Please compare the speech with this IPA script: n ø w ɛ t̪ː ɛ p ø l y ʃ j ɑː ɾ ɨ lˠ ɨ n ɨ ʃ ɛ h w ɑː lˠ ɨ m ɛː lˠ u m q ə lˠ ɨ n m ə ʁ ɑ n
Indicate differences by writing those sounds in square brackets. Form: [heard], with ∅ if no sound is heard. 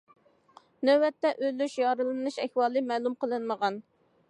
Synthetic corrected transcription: n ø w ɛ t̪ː ɛ [ʔ] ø l y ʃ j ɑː ɾ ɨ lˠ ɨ n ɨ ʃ ɛ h w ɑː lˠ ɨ m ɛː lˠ u m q ə lˠ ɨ n m ə ʁ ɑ n

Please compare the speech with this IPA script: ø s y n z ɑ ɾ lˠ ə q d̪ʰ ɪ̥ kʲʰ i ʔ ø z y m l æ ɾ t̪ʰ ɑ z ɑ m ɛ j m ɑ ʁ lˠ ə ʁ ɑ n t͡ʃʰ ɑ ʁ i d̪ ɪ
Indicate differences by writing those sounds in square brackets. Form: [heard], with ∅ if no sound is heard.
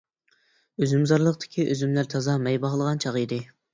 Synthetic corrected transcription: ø [z] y [m] z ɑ ɾ lˠ ə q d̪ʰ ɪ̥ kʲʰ i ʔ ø z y m l æ ɾ t̪ʰ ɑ z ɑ m ɛ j [b] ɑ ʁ lˠ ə ʁ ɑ n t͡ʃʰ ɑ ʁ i d̪ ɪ

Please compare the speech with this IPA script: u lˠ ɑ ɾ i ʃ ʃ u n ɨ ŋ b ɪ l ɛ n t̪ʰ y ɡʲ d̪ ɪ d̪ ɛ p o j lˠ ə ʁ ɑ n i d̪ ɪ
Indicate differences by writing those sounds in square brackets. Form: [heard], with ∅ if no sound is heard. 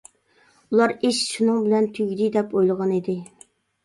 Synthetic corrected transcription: u lˠ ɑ ɾ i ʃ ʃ u n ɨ ŋ b ɪ l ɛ n t̪ʰ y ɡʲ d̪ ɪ d̪ ɛ p o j lˠ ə ʁ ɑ n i d̪ ɪ

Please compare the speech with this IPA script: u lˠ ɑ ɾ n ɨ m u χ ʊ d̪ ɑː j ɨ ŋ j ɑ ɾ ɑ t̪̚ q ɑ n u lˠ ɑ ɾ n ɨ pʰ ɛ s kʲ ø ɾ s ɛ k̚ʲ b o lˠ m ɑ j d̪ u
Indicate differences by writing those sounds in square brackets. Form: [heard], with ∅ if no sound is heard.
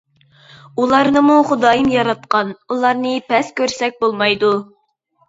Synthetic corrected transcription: u lˠ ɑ ɾ n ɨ m u χ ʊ d̪ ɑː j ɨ [m] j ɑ ɾ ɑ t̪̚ q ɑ n u lˠ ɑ ɾ n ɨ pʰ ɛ s kʲ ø ɾ s ɛ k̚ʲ b o lˠ m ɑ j d̪ u

